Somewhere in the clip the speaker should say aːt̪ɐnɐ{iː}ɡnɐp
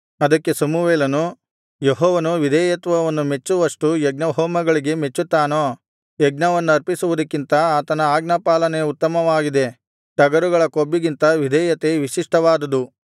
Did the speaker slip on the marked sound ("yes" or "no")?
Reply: yes